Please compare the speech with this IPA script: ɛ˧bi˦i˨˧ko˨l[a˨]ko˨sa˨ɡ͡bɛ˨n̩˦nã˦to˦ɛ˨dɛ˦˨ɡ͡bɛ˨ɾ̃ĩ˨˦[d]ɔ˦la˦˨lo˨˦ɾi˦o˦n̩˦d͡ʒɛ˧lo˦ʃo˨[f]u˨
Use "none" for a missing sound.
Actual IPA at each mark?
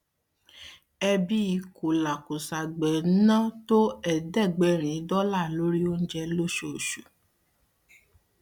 a˨, d, ʃ

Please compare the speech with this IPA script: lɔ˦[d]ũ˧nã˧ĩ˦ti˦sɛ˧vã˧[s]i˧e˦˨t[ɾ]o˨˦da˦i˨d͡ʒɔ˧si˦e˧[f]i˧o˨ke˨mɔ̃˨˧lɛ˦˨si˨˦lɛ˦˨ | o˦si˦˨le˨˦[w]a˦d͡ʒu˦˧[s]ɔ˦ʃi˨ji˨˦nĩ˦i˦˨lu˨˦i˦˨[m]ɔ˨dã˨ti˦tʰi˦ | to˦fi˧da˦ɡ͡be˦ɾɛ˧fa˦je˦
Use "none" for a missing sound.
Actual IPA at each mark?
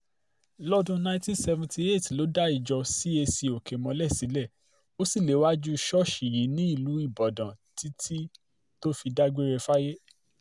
d, t, l, s, w, ʃ, b

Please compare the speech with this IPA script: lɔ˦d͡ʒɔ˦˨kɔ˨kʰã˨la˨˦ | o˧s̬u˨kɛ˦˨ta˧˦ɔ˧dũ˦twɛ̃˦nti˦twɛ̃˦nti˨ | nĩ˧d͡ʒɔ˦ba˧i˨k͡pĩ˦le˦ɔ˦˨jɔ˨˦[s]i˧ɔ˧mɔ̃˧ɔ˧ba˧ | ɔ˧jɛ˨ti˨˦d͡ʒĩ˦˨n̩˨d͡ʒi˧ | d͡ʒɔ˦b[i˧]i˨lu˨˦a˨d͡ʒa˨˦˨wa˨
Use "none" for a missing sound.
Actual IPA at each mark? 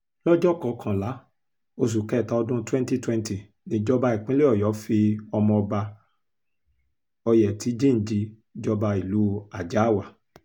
f, a˧

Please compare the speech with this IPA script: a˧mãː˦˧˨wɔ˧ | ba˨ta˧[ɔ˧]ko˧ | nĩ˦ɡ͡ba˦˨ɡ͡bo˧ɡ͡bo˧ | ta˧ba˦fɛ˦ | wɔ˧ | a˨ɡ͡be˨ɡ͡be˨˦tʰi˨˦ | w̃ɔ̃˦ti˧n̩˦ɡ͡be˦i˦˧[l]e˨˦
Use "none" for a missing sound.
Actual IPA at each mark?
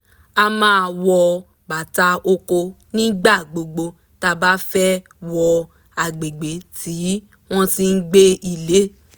o˧, l

